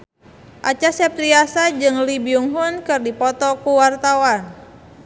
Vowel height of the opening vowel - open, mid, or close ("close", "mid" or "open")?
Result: open